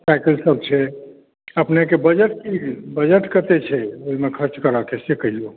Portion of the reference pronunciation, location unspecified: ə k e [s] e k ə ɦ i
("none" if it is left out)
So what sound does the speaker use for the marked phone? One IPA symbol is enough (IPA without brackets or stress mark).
s